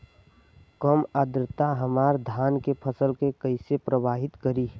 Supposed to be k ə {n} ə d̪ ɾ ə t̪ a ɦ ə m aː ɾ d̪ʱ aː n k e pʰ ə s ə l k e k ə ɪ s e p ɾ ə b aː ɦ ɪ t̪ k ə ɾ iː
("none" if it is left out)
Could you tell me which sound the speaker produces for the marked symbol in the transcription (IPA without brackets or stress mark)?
m